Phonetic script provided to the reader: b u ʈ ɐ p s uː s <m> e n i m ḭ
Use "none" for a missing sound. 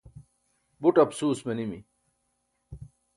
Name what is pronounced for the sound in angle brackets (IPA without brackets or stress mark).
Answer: m